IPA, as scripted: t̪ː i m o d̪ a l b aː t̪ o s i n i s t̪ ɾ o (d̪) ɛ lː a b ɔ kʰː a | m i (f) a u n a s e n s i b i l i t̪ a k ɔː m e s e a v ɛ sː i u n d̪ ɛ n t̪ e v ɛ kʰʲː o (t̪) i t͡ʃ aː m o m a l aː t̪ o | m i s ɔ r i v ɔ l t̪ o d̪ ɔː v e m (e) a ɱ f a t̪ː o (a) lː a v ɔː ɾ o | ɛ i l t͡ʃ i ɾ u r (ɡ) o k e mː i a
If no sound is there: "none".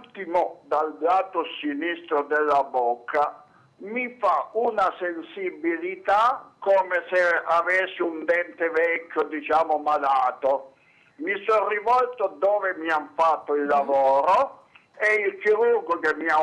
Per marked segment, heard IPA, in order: d̪, f, d̪, i, i, ɡ

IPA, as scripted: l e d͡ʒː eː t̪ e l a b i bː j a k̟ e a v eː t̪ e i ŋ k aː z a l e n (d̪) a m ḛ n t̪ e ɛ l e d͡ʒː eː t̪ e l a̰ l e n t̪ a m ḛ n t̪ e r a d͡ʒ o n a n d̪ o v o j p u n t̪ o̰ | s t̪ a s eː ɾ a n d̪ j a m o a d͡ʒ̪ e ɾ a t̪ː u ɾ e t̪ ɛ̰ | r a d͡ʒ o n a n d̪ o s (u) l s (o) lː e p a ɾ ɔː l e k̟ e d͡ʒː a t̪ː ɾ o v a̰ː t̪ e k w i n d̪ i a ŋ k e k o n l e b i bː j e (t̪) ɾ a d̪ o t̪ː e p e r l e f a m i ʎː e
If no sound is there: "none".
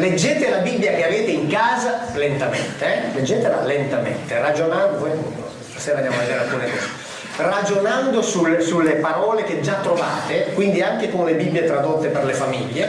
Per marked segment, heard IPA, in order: t̪, u, u, t̪

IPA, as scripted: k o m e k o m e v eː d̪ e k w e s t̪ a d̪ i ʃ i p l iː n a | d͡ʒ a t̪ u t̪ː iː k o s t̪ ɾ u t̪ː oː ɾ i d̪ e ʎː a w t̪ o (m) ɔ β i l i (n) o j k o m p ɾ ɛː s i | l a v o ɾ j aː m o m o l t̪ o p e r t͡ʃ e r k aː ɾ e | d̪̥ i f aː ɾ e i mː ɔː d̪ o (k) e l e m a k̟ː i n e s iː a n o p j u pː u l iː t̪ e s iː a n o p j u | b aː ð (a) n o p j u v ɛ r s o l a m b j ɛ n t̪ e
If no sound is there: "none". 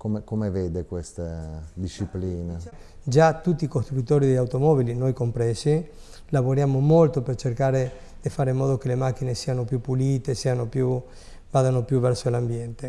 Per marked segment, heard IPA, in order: m, n, k, a

